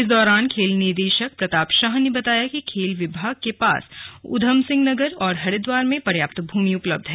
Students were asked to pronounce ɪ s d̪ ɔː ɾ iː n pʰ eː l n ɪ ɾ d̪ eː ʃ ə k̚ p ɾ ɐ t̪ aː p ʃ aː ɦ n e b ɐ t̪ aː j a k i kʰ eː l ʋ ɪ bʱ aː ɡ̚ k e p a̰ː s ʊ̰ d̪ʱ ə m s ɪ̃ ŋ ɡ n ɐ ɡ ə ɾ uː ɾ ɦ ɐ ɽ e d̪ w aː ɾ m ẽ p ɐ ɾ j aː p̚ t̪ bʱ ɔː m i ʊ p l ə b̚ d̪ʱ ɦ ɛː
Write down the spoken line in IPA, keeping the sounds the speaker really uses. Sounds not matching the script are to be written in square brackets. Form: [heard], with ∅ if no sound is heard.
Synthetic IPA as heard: ɪ s d̪ ɔː ɾ [aː] n [kʰ] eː l n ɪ ɾ d̪ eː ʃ ə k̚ p ɾ ɐ t̪ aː p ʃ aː ɦ n e b ɐ t̪ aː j a k i kʰ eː l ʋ ɪ bʱ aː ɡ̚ k e p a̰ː s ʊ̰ d̪ʱ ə m s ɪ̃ ŋ ɡ n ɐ ɡ ə ɾ [ɔː] ɾ ɦ ɐ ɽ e d̪ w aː ɾ m ẽ p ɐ ɾ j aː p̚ t̪ bʱ [uː] m i ʊ p l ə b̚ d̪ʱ ɦ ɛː

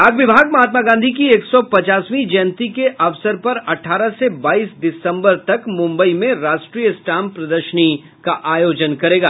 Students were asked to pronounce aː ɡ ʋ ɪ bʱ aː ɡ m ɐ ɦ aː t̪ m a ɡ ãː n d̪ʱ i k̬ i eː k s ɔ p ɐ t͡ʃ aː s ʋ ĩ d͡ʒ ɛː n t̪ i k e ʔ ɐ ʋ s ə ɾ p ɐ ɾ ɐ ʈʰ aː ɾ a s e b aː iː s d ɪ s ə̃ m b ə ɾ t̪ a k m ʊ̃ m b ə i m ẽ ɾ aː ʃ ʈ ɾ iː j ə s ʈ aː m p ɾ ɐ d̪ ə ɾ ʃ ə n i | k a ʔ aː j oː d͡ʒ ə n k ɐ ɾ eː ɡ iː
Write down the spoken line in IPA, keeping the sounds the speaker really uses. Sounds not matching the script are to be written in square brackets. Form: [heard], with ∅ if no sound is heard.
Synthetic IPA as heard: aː ɡ ʋ ɪ bʱ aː ɡ m ɐ ɦ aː t̪ m a ɡ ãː n d̪ʱ i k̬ i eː k s ɔ p ɐ t͡ʃ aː s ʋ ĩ d͡ʒ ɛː n t̪ i k e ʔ ɐ ʋ s ə ɾ p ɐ ɾ ɐ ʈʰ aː ɾ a s e b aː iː s d ɪ s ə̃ m b ə ɾ t̪ [ɐ] k m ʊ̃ m b ə i m ẽ ɾ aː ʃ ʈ ɾ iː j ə s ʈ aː m p ɾ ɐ d̪ ə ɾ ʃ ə n i | k a ʔ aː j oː d͡ʒ ə n k ɐ ɾ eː ɡ [aː]

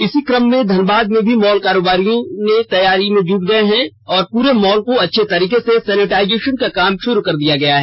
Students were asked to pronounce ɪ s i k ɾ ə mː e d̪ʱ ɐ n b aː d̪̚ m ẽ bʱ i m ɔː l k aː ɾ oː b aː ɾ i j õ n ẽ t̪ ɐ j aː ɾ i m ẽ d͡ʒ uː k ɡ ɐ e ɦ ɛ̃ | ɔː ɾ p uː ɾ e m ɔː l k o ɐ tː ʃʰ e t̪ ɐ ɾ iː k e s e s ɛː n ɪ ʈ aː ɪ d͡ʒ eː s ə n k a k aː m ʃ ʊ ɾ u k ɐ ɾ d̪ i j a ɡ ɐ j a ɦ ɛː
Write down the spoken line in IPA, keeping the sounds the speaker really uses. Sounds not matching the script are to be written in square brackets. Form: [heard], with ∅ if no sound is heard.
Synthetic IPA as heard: ɪ s i k ɾ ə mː [ẽ] d̪ʱ ɐ n b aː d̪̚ m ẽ bʱ i m ɔː l k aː ɾ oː b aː ɾ i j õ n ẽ t̪ ɐ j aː ɾ i m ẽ d͡ʒ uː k ɡ ɐ e ɦ ɛ̃ | ɔː ɾ p uː ɾ e m ɔː l k o ɐ tː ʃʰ e t̪ ɐ ɾ iː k e s e s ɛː n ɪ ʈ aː ɪ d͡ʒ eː [ʃ] ə n k a k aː m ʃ ʊ ɾ u k ɐ ɾ d̪ i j a ɡ ɐ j a ɦ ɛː

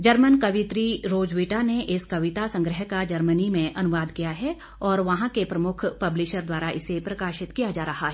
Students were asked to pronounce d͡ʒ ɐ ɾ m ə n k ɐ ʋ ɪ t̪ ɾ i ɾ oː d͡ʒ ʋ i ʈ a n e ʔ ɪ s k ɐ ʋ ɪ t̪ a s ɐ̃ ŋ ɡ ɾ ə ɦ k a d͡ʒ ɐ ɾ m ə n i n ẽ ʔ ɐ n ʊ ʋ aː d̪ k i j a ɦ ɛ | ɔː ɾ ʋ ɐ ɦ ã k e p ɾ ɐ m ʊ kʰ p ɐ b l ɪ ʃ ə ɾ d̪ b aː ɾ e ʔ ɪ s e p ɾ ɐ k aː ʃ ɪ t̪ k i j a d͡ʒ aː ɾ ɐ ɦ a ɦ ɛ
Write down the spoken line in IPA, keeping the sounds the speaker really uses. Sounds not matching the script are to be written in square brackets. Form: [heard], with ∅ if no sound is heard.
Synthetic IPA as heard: d͡ʒ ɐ ɾ m ə n k ɐ ʋ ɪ t̪ ɾ i ɾ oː d͡ʒ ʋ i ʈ a n e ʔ ɪ s k ɐ ʋ ɪ t̪ a s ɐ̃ ŋ ɡ ɾ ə ɦ k a d͡ʒ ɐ ɾ m ə n i [m] ẽ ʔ ɐ n ʊ ʋ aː d̪ k i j a ɦ ɛ | ɔː ɾ ʋ ɐ ɦ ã k e p ɾ ɐ m ʊ kʰ p ɐ b l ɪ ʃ ə ɾ d̪ [w] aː ɾ [a] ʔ ɪ s e p ɾ ɐ k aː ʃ ɪ t̪ k i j a d͡ʒ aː ɾ ɐ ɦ a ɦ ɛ

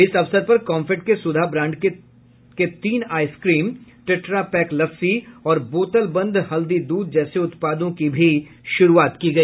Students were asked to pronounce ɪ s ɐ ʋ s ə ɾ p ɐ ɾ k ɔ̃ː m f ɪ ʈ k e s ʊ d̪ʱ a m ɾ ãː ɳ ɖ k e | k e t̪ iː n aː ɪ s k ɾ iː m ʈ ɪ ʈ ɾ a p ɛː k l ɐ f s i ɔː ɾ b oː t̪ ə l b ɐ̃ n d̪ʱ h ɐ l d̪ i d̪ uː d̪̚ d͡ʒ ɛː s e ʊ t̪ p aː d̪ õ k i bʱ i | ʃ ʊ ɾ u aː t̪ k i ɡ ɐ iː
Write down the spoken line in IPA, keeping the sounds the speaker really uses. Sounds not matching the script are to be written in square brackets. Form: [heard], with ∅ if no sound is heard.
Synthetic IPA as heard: ɪ s ɐ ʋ s ə ɾ p ɐ ɾ k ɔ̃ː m f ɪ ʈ k e s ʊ d̪ʱ a [b] ɾ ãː ɳ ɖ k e | k e t̪ iː n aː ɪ s k ɾ iː m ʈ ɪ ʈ ɾ a p ɛː k l ɐ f s i ɔː ɾ b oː t̪ ə l b ɐ̃ n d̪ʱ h ɐ l d̪ i d̪ uː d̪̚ d͡ʒ ɛː s e ʊ t̪ p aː d̪ õ k i bʱ i | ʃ ʊ ɾ u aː t̪ k i ɡ ɐ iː

